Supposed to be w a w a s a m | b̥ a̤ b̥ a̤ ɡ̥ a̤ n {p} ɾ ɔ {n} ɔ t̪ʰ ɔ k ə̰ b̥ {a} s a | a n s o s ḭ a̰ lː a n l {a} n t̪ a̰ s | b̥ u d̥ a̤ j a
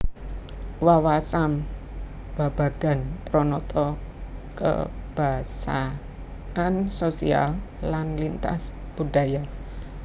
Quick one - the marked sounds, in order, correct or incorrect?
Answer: correct, correct, correct, incorrect: i

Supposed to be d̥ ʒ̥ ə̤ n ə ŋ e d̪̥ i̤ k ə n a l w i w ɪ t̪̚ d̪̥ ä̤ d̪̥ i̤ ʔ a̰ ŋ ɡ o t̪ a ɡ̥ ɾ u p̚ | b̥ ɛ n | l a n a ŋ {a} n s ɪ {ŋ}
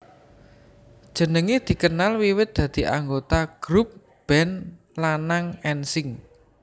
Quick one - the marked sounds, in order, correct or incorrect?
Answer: incorrect: ɛ, correct

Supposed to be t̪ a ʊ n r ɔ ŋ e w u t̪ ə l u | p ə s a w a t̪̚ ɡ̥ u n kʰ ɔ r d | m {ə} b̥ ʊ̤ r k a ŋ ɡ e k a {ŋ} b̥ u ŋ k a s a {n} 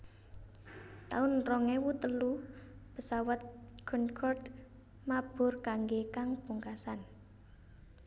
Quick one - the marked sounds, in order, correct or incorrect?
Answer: incorrect: a, correct, correct

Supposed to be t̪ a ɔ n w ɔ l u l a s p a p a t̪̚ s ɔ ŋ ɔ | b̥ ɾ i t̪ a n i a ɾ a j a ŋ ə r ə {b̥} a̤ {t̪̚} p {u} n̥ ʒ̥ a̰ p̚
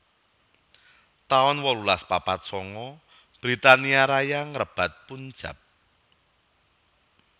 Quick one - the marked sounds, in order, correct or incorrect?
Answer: correct, correct, correct

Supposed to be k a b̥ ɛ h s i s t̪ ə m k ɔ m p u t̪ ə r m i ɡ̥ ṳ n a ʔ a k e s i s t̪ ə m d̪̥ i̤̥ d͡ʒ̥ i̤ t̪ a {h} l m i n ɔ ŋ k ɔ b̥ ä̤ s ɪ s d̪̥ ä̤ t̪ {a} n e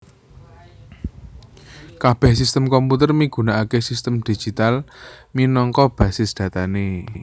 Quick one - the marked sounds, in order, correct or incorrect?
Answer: incorrect: none, correct

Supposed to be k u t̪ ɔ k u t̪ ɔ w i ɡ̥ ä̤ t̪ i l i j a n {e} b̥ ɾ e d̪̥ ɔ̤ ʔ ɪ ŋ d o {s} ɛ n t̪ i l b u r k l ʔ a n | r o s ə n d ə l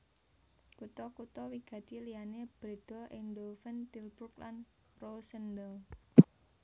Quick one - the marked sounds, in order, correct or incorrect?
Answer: correct, incorrect: f

